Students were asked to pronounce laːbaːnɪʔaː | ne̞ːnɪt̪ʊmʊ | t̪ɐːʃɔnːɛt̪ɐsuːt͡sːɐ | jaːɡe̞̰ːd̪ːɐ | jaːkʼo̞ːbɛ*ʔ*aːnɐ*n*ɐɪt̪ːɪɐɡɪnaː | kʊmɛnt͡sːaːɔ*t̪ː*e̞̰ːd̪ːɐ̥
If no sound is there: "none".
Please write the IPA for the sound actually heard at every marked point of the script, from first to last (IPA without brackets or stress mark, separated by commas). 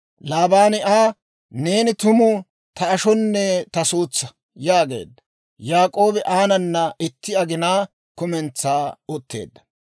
ʔ, nː, t̪ː